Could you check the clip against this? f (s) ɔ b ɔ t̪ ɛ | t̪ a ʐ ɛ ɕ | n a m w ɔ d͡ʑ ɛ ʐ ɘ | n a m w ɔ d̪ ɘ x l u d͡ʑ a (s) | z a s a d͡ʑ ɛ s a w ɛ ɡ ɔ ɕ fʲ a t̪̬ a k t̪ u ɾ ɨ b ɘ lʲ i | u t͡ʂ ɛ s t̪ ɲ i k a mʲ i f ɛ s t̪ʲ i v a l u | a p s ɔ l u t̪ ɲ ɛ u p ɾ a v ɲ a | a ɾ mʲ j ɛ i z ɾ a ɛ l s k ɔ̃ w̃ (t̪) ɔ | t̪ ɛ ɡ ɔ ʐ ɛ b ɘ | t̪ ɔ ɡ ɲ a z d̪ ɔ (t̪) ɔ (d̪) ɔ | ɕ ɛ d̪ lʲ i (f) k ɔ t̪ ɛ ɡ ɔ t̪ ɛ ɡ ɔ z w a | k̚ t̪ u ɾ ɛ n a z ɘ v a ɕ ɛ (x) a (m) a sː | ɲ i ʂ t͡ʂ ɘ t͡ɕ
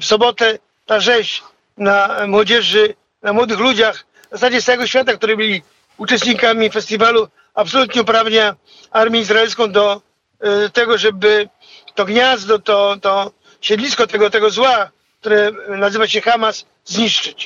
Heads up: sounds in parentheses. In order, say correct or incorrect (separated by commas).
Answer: correct, incorrect, incorrect, correct, incorrect, incorrect, correct, correct